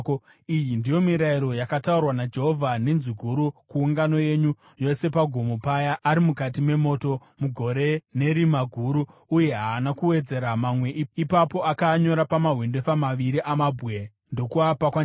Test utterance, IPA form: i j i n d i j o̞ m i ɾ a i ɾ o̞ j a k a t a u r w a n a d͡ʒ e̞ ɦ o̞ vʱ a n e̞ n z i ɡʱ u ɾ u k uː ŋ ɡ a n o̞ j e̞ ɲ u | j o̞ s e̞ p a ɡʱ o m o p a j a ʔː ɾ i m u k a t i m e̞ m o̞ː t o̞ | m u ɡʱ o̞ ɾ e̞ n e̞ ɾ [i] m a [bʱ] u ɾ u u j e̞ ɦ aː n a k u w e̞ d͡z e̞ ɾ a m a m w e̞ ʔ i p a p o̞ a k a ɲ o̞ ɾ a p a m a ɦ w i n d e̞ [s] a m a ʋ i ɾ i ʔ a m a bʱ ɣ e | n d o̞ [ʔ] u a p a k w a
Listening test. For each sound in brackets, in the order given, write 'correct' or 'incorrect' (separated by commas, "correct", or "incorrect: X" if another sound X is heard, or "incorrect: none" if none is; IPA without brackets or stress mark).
correct, incorrect: ɡʱ, incorrect: f, incorrect: k